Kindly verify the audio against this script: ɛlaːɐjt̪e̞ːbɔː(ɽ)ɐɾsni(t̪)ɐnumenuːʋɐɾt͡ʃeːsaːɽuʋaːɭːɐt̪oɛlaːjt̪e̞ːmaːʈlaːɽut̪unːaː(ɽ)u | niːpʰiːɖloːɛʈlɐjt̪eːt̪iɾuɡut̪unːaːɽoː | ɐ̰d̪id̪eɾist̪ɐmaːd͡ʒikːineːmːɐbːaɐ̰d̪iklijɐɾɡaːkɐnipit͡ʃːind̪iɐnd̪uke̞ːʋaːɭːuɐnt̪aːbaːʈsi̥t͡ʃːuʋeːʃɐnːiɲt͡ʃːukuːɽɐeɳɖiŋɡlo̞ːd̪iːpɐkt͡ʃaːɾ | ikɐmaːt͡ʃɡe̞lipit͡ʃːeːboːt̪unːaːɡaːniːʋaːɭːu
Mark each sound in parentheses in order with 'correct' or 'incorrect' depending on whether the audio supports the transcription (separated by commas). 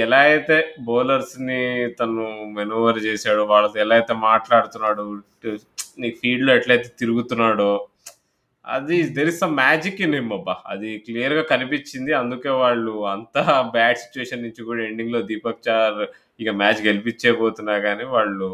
incorrect, correct, correct